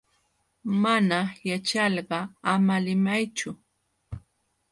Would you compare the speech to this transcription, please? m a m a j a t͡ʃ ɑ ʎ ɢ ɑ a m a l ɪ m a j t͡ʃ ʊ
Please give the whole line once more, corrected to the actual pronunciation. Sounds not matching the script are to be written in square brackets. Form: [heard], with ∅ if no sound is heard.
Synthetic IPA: m a [n] a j a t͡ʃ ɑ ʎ ɢ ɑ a m a l ɪ m a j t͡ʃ ʊ